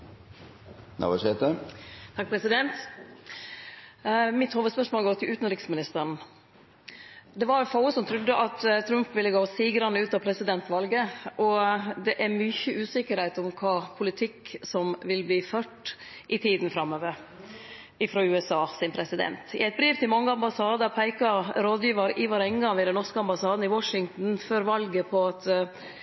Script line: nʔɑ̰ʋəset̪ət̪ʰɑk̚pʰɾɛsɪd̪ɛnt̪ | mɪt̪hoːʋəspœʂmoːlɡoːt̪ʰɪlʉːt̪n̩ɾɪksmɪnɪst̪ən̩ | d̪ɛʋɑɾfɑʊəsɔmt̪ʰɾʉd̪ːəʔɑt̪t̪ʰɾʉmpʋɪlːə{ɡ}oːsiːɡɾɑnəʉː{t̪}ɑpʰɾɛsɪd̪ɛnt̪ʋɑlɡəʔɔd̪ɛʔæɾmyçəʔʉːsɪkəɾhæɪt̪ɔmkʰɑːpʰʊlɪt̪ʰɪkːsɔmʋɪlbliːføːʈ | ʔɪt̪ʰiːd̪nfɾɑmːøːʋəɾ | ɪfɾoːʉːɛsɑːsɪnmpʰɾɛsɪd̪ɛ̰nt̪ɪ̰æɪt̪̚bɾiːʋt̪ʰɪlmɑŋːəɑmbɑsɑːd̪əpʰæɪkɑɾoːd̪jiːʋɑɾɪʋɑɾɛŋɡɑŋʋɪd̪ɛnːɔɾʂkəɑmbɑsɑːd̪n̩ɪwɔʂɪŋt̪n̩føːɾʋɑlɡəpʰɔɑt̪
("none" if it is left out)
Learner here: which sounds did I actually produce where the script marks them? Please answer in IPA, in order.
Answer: ɡ, t̪

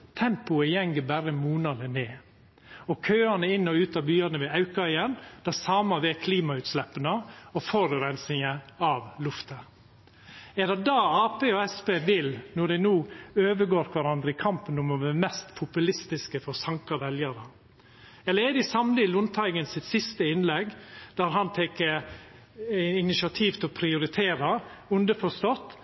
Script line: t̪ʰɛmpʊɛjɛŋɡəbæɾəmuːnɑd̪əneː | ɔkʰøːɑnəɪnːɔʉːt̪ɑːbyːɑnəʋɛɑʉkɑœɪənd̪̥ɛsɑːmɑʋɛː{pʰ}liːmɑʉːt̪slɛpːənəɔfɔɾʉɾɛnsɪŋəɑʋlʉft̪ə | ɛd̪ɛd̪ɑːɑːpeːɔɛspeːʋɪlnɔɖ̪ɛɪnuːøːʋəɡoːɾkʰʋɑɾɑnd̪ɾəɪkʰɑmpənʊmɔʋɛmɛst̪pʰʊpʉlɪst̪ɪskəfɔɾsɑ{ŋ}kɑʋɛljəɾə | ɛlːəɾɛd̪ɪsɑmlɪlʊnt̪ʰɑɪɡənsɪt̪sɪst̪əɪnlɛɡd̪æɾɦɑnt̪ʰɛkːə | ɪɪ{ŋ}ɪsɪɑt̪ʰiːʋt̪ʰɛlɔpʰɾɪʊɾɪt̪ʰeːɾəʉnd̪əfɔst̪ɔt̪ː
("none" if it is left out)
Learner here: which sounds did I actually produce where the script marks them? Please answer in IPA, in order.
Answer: kʰ, ŋ, n

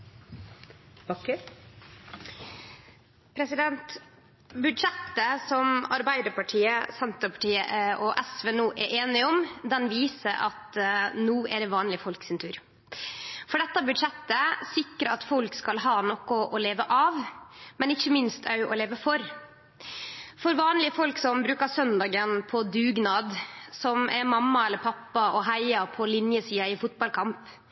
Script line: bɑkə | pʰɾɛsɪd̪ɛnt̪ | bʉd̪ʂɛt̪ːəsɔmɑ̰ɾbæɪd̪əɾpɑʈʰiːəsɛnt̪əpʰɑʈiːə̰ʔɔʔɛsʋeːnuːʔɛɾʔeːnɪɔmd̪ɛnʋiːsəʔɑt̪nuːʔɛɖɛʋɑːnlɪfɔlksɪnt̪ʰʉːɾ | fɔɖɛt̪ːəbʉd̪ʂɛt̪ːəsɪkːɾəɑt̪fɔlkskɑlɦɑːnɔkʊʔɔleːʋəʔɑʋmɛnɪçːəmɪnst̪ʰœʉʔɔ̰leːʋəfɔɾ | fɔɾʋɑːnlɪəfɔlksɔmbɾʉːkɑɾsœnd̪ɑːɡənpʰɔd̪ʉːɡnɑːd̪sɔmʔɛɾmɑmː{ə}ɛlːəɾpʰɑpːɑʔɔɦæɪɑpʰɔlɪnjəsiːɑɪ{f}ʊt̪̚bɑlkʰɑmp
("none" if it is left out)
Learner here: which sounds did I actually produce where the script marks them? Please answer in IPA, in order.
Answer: ɑ, f

